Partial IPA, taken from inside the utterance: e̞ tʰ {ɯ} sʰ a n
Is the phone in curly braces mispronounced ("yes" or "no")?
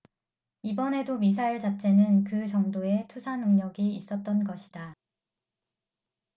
yes